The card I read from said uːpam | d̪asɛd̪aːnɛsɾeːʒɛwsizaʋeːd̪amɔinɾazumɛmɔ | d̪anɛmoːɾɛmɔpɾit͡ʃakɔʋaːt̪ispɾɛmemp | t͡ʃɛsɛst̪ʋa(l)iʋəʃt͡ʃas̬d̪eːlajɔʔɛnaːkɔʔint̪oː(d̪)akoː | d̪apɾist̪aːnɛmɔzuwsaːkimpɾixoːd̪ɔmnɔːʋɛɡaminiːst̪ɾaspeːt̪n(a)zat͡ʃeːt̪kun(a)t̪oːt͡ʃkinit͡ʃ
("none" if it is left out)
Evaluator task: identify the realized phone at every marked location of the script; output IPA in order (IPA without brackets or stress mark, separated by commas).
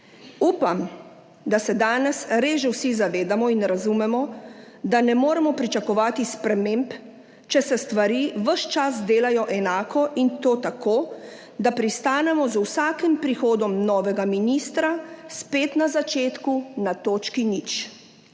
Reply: ɾ, t̪, a, a